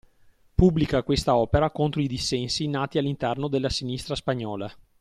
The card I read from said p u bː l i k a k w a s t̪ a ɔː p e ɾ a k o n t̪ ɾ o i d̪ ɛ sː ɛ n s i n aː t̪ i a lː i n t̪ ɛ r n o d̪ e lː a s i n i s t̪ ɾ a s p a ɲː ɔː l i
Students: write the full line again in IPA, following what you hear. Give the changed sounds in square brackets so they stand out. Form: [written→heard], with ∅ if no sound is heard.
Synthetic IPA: p u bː l i k a k w [a→e] s t̪ a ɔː p e ɾ a k o n t̪ ɾ o i d̪ [ɛ→i] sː ɛ n s i n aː t̪ i a lː i n t̪ ɛ r n o d̪ e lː a s i n i s t̪ ɾ a s p a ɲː ɔː l [i→a]